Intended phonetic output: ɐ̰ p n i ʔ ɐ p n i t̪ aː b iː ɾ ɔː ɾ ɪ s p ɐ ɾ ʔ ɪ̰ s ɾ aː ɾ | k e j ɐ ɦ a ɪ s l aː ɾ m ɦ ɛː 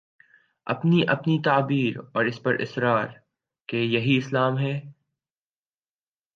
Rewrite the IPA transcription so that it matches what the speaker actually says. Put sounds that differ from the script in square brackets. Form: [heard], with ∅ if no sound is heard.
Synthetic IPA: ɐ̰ p n i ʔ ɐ p n i t̪ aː b iː ɾ ɔː ɾ ɪ s p ɐ ɾ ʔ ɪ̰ s ɾ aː ɾ | k e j ɐ ɦ [i] ɪ s l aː [∅] m ɦ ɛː